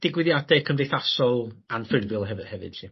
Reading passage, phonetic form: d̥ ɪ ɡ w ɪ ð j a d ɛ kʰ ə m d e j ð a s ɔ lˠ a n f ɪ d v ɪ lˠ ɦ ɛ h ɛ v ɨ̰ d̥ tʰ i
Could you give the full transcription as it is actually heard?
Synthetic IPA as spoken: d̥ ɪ ɡ w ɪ ð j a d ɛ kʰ ə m d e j θ a s ɔ lˠ a n f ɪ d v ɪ lˠ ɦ ɛ h ɛ v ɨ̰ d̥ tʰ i